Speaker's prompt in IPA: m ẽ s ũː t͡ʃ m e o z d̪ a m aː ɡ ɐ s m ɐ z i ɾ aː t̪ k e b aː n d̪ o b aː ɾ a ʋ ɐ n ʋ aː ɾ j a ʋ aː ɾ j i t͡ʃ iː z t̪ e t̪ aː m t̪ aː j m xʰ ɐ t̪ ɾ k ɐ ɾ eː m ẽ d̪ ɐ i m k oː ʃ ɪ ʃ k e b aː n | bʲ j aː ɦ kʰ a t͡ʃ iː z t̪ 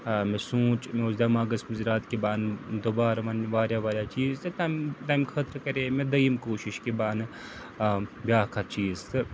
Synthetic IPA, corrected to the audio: m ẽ s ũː t͡ʃ m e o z d̪ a m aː ɡ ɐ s m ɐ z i ɾ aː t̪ k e b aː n d̪ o b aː ɾ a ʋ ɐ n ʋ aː ɾ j a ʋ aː ɾ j a t͡ʃ iː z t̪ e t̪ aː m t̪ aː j m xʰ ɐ t̪ ɾ k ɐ ɾ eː m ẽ d̪ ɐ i m k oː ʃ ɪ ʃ k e b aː n | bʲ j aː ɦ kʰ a t͡ʃ iː z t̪